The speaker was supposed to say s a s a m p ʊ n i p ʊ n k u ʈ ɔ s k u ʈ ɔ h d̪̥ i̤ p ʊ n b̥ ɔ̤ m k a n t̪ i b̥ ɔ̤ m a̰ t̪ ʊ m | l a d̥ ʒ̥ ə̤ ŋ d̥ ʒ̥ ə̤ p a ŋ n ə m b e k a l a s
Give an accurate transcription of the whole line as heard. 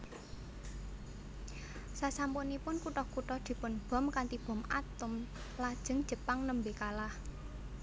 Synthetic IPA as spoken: s a s a m p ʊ n i p ʊ n k u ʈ ɔ h k u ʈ ɔ h d̪̥ i̤ p ʊ n b̥ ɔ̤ m k a n t̪ i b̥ ɔ̤ m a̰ t̪ ʊ m | l a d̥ ʒ̥ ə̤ ŋ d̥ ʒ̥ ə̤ p a ŋ n ə m b e k a l a h